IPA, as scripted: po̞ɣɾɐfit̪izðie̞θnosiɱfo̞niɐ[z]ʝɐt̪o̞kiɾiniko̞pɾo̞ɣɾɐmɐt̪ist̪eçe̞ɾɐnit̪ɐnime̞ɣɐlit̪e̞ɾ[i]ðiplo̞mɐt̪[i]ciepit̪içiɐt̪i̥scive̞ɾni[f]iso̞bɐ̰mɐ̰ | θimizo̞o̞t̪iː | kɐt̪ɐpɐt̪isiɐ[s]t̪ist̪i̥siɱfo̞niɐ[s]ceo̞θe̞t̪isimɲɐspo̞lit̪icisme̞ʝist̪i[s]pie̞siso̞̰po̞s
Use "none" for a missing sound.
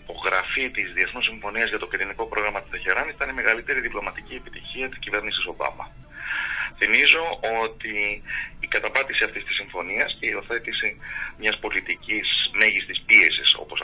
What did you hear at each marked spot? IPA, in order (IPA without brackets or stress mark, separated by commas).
z, i, i, s, f, s, s